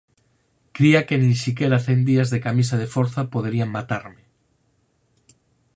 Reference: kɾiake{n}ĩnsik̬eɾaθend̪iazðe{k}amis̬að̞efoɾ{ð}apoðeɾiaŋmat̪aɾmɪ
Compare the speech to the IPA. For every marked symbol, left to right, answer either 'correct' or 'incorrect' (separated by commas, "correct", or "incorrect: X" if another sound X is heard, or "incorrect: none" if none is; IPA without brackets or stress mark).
correct, correct, incorrect: θ